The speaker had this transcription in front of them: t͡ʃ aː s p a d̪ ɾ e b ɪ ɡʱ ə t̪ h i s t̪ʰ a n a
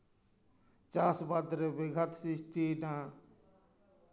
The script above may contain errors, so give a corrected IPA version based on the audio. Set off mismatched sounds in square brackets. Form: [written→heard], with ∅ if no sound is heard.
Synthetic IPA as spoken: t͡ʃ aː s [p→b] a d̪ ɾ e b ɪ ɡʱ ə t̪ [h→s] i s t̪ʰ [a→i] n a